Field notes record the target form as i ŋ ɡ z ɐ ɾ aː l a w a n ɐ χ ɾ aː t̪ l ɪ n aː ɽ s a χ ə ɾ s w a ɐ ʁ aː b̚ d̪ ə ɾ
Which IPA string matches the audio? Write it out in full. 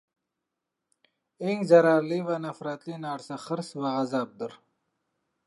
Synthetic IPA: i ŋ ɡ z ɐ ɾ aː l i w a n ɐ f ɾ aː t̪ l i n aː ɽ s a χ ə ɾ s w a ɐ z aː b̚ d̪ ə ɾ

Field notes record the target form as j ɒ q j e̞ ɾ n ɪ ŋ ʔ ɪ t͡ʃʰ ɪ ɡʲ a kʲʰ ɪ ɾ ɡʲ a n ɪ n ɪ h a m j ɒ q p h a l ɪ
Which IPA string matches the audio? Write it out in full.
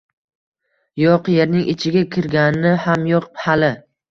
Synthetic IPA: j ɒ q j e̞ ɾ n ɪ ŋ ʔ ɪ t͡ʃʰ ɪ ɡʲ a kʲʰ ɪ ɾ ɡʲ a n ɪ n ɪ h a m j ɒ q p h a l ɪ

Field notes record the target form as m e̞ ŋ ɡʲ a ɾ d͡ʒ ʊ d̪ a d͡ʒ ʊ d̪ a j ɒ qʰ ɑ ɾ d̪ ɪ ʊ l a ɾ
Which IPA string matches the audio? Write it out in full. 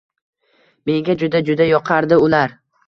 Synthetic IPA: m e̞ ŋ ɡʲ a d͡ʒ ʊ d̪ a d͡ʒ ʊ d̪ a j ɒ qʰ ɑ ɾ d̪ ɪ ʊ l a ɾ

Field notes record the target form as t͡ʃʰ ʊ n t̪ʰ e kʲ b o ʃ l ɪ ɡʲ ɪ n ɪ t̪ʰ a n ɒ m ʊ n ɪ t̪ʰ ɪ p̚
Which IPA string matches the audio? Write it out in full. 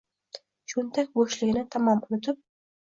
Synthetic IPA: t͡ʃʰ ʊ n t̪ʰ a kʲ b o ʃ l ɪ ɡʲ ɪ n ɪ t̪ʰ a m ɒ m ʊ n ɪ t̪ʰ ɪ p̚

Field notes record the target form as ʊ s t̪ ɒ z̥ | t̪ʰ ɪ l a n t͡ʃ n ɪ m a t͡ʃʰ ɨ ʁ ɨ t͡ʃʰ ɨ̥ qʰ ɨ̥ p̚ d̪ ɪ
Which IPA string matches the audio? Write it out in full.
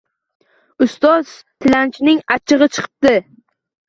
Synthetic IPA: ʊ s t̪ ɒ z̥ | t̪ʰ ɪ l a n t͡ʃ n ɪ ŋ a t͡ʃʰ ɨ ʁ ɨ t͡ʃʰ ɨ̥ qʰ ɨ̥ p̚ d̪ ɪ

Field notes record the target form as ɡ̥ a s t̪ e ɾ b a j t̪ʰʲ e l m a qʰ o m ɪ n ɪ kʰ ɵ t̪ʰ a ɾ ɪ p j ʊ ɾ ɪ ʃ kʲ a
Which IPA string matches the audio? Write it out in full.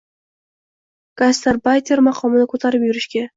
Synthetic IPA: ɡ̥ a s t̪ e ɾ b a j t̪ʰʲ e ɾ m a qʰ ɒ m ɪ n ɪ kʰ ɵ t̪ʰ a ɾ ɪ p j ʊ ɾ ɪ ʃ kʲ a

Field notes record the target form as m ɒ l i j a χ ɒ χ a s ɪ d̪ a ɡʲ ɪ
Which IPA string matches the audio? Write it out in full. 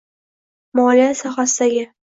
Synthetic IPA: m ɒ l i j a s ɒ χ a s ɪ d̪ a ɡʲ ɪ

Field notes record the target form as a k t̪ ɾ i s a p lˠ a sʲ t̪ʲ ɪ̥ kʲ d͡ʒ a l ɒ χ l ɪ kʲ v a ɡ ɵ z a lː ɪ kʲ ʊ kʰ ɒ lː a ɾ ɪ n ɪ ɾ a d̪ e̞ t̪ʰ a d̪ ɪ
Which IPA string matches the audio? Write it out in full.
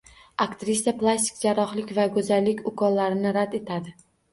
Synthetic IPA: a k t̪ ɾ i s a p lˠ a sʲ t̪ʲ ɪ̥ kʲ d͡ʒ a ɾ ɒ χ l ɪ kʲ v a ɡ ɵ z a lː ɪ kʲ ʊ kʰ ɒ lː a ɾ ɪ n ɪ ɾ a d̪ e̞ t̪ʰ a d̪ ɪ

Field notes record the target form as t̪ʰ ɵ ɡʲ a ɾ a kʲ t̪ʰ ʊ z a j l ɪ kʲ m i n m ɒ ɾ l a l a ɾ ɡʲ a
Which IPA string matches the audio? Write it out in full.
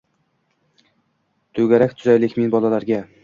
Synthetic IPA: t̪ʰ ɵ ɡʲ a ɾ a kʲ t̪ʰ ʊ z a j l ɪ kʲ m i n b ɒ l a l a ɾ ɡʲ a

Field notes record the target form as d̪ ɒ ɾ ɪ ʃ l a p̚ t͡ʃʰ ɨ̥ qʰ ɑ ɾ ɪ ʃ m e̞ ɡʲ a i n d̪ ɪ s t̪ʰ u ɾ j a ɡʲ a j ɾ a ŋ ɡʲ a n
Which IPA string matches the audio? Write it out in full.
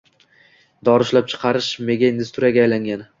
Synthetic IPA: d̪ ɒ ɾ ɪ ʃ l a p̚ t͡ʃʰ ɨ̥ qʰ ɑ ɾ ɪ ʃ m e̞ ɡʲ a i n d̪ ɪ s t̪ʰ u ɾ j a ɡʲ a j l a ŋ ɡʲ a n

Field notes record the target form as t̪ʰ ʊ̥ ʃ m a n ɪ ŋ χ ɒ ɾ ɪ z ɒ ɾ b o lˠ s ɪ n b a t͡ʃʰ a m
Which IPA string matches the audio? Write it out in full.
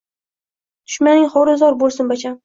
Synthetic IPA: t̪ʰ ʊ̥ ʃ m a n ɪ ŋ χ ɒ ɾ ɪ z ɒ ɾ b o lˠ s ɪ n b a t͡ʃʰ a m

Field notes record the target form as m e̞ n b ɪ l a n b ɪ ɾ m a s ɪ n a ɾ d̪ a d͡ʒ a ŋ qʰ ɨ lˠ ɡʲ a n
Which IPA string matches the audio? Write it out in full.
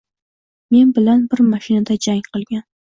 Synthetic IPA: m e̞ n b ɪ l a n b ɪ ɾ m a ʃ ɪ n a d̪ a d͡ʒ a ŋ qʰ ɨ lˠ ɡʲ a n

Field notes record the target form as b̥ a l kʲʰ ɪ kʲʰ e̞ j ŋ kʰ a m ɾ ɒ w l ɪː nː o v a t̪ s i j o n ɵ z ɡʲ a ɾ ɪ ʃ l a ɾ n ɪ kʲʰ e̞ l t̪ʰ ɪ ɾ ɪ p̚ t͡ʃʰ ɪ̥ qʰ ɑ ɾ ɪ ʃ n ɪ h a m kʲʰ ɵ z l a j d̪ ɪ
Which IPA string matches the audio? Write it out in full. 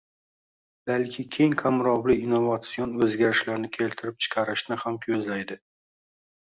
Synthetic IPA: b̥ a l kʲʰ ɪ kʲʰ e̞ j ŋ kʰ a m ɾ ɒ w l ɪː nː o v a t̪ s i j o n ɵ z ɡʲ a ɾ ɪ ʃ l a ɾ n ɪ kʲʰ e̞ l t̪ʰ ɪ ɾ ɪ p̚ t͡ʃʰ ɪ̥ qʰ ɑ ɾ ɪ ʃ n ɪ h a m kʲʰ ɵ z l a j d̪ ɪ

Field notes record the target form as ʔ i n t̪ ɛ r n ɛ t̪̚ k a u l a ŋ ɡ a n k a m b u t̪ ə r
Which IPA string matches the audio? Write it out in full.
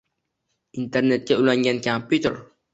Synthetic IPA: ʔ i n t̪ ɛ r n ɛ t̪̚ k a u l a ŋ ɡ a n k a m p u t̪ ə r

